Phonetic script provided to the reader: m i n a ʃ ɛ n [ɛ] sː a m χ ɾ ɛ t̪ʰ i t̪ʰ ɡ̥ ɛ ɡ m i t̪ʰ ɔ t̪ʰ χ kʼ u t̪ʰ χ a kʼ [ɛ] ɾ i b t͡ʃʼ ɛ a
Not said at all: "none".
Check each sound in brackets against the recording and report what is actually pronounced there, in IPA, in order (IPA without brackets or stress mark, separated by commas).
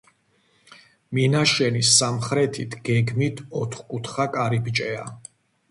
i, a